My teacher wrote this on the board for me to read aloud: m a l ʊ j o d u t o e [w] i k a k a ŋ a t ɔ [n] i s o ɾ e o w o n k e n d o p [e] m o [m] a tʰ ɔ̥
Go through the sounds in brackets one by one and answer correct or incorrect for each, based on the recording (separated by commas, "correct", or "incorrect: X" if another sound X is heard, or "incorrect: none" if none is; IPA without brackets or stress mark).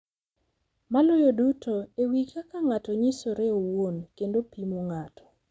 correct, incorrect: ɲ, incorrect: i, incorrect: ŋ